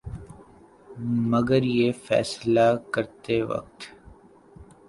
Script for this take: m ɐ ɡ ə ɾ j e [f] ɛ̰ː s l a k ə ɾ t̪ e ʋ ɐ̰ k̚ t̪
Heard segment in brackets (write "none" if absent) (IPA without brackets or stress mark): f